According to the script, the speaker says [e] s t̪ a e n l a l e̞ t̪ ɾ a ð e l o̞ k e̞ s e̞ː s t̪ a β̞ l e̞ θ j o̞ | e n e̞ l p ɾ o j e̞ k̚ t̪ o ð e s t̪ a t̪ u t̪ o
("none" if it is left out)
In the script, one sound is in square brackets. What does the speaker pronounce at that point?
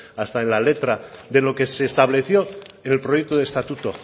a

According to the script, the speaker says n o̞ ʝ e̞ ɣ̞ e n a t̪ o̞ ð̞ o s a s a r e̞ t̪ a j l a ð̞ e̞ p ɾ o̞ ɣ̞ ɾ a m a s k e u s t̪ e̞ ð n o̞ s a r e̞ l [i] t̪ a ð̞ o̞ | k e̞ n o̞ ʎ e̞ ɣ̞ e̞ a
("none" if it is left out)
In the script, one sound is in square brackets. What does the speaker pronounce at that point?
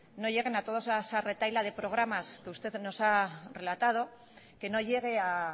a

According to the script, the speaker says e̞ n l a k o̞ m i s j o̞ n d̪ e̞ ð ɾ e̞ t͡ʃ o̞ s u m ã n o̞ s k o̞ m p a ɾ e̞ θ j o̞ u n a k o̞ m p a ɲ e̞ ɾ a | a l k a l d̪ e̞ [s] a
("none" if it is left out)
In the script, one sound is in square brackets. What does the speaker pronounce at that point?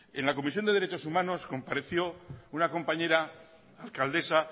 s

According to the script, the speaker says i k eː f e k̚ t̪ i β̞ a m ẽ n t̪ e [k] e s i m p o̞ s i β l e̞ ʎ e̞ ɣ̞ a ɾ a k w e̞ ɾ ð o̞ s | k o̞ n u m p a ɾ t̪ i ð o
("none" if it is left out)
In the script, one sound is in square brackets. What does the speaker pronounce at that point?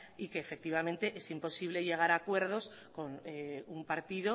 ʔ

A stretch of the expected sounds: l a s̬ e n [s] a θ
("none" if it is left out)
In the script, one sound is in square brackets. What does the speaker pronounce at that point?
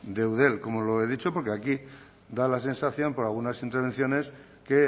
s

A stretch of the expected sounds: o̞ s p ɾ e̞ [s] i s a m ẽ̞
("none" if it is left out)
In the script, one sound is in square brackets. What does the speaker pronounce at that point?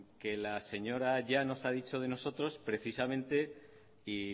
θ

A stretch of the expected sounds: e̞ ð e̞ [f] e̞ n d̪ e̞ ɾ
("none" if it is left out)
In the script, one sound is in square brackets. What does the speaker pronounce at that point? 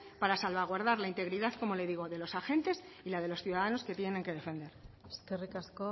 f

